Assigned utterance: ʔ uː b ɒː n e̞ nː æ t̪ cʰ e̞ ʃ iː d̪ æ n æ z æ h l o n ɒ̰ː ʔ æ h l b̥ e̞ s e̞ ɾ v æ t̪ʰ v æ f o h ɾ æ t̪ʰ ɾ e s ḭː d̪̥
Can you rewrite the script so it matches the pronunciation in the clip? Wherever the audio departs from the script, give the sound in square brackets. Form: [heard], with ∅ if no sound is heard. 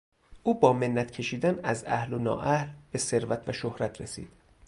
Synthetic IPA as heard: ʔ uː b ɒː [m] e̞ nː æ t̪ cʰ e̞ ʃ iː d̪ æ n æ z æ h l o n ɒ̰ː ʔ æ h l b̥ e̞ s e̞ ɾ v æ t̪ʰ v æ [ʃ] o h ɾ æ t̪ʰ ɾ e s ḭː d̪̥